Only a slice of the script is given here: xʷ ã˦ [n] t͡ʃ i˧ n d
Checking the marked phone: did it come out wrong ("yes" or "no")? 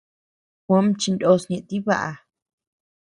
yes